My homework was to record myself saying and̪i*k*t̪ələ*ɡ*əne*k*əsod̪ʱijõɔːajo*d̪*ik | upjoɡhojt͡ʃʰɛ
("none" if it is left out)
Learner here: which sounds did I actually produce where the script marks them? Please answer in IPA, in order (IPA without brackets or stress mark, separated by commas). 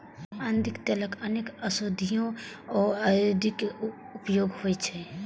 k, k, k, d̪